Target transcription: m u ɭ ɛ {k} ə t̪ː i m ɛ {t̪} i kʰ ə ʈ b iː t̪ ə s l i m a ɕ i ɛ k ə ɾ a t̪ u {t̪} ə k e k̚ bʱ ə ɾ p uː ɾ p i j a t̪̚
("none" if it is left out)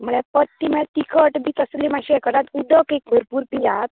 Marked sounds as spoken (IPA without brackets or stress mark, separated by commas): p, t̪, d̪